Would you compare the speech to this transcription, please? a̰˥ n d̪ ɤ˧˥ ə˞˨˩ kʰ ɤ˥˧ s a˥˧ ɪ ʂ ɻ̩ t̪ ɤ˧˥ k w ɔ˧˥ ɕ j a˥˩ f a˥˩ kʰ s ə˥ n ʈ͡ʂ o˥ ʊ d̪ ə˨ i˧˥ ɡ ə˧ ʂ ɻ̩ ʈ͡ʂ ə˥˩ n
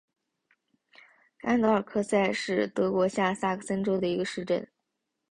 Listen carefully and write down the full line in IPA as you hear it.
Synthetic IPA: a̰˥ n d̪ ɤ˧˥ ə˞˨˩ kʰ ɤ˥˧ s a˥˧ ɪ ʂ ɻ̩ t̪ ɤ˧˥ k w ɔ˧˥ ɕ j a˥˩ s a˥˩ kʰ s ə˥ n ʈ͡ʂ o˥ ʊ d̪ ə˨ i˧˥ ɡ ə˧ ʂ ɻ̩ ʈ͡ʂ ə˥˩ n